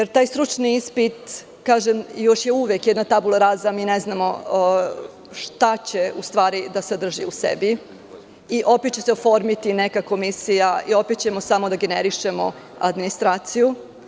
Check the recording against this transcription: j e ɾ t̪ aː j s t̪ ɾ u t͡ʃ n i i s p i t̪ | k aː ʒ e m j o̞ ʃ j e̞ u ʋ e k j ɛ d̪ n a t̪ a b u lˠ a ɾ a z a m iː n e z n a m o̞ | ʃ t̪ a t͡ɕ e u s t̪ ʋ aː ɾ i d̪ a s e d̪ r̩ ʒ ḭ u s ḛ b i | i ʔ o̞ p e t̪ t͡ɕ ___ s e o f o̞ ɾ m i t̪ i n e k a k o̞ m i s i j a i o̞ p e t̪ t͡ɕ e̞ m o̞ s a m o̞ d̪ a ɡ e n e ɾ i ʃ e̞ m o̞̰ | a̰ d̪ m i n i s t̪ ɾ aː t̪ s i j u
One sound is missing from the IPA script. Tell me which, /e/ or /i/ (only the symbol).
e